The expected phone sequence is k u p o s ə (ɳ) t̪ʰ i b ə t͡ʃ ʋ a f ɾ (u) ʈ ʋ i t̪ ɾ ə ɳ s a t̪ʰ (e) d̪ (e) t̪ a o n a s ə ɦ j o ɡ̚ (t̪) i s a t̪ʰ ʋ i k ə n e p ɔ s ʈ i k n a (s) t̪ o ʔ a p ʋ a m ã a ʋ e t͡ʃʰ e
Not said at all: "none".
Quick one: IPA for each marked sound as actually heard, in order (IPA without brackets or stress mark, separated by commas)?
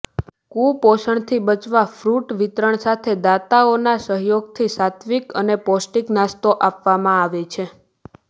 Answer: ɳ, u, e, a, t̪ʰ, s